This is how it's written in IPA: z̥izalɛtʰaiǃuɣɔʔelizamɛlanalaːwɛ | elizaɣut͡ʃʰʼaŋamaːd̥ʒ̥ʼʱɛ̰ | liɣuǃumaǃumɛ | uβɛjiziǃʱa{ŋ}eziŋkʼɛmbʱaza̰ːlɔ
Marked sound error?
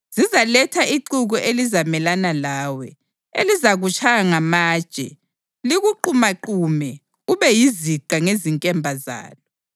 no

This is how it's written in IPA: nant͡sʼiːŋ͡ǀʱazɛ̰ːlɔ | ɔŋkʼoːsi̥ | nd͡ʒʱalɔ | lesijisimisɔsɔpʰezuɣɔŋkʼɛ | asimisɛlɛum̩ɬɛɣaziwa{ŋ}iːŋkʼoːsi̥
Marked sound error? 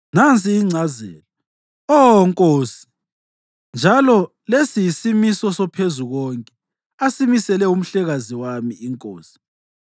yes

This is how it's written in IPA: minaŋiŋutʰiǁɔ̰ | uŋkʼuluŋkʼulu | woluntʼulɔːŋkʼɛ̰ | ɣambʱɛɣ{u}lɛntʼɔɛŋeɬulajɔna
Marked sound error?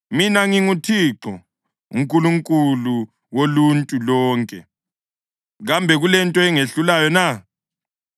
no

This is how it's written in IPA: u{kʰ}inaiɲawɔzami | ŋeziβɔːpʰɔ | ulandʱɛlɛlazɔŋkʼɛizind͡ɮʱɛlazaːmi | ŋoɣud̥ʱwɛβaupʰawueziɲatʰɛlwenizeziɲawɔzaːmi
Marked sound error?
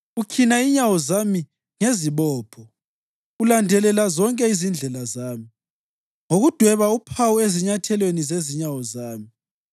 no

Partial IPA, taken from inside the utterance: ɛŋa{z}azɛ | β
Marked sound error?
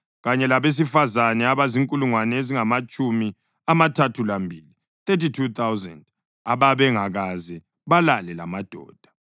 yes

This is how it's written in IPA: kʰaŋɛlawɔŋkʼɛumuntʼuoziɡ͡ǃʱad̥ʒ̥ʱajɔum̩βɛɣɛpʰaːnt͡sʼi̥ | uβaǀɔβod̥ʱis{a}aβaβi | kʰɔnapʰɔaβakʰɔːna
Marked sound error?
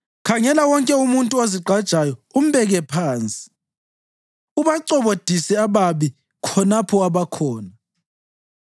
yes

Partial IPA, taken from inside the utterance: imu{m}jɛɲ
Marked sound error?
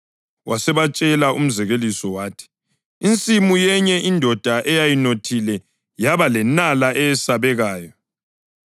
yes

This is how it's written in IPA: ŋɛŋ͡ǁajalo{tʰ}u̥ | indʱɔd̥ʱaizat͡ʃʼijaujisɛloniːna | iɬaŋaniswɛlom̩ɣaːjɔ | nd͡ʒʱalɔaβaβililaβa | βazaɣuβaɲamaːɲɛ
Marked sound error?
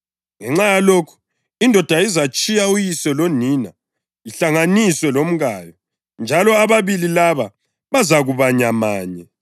yes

